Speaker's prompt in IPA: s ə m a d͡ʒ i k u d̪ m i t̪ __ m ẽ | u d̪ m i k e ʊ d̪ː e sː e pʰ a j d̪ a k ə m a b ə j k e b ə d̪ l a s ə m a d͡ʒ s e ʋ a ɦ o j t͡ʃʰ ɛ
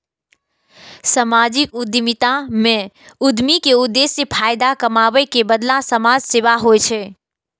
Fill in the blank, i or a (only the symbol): a